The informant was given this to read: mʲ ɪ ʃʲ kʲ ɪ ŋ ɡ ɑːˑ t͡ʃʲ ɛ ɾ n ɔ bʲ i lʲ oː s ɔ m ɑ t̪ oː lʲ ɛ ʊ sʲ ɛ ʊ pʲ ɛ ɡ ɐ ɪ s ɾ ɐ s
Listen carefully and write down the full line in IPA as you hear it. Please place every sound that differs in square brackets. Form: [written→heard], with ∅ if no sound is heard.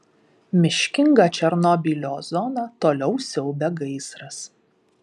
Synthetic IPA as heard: mʲ ɪ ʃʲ kʲ ɪ ŋ ɡ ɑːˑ t͡ʃʲ ɛ ɾ n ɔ bʲ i lʲ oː [s→z] ɔ [m→n] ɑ t̪ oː lʲ ɛ ʊ sʲ ɛ ʊ [pʲ→bʲ] ɛ ɡ ɐ ɪ s ɾ ɐ s

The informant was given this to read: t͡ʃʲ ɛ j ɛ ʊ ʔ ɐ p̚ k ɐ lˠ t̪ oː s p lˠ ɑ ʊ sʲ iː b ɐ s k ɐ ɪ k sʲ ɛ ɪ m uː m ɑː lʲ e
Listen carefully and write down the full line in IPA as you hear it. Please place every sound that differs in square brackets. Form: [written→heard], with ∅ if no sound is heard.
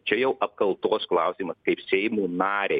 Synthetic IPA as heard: t͡ʃʲ ɛ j ɛ ʊ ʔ ɐ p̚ k ɐ lˠ t̪ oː s [p→k] lˠ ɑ ʊ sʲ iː [b→m] ɐ s k ɐ ɪ [k→p] sʲ ɛ ɪ m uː [m→n] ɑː [lʲ→ɾʲ] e

